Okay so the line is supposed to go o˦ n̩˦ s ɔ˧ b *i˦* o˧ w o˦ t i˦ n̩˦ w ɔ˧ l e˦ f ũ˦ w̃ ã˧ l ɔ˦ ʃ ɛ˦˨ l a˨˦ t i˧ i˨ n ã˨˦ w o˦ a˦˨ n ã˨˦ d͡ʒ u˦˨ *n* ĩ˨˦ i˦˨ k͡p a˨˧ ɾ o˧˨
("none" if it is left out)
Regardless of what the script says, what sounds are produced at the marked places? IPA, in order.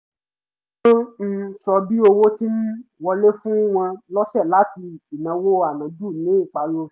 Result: i˦, n

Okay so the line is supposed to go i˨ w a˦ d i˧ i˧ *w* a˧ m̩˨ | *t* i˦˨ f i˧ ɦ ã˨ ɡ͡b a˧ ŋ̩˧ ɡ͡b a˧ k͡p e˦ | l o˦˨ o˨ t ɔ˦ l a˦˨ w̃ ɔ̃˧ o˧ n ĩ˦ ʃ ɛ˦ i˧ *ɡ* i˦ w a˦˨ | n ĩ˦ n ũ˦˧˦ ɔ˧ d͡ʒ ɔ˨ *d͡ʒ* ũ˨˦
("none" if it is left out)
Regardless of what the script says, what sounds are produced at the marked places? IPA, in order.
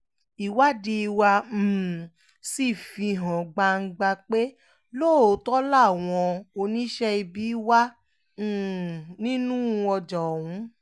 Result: w, s, b, none

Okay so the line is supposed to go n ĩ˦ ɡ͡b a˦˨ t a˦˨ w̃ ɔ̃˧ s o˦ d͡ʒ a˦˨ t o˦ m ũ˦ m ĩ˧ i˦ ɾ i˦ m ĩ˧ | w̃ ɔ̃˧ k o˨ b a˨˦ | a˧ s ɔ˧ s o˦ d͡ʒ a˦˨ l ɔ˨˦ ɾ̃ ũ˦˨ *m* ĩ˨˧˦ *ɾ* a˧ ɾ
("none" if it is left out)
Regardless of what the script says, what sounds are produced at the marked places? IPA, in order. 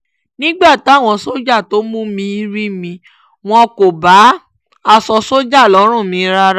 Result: m, ɾ

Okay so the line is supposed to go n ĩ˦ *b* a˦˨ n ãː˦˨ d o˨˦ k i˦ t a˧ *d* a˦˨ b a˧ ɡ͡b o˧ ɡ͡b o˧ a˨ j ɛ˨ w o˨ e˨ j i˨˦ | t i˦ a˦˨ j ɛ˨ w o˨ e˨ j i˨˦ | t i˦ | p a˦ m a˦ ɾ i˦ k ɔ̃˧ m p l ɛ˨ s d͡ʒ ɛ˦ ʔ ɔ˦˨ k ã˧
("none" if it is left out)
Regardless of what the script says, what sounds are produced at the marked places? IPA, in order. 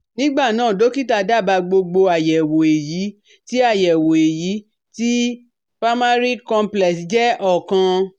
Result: ɡ͡b, d

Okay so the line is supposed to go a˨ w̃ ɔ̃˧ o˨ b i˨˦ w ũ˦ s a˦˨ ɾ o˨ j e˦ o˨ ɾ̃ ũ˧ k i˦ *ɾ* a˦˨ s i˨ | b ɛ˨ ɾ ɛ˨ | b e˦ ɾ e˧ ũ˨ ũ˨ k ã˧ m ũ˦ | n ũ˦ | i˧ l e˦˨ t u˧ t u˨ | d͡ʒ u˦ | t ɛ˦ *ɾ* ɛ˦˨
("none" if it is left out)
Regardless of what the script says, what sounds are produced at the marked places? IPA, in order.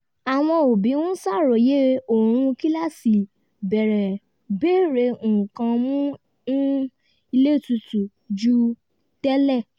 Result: l, l

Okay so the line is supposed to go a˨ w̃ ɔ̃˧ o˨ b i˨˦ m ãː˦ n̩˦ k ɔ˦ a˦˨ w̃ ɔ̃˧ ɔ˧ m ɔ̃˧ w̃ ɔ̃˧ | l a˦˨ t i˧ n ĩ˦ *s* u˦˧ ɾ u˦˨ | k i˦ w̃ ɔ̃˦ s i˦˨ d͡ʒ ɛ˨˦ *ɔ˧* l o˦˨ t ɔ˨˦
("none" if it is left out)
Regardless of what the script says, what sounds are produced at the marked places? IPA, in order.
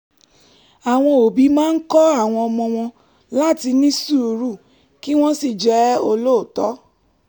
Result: s, o˧

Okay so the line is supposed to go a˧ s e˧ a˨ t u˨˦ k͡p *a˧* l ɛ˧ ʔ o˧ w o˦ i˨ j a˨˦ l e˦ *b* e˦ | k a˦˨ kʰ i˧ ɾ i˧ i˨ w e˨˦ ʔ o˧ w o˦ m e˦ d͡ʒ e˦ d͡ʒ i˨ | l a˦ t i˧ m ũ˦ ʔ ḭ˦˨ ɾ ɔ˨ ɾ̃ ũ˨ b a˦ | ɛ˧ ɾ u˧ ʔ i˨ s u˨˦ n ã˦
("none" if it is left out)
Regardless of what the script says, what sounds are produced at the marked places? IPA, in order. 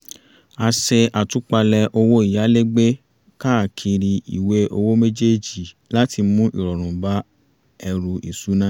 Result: a˧, ɡ͡b

